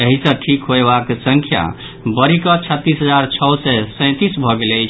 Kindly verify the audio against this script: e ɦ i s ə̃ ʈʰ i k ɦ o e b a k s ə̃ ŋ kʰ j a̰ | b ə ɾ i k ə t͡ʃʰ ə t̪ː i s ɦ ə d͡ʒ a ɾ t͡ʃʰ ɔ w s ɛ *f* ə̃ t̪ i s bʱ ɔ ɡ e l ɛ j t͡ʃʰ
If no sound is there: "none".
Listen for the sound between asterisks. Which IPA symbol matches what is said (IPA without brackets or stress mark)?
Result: s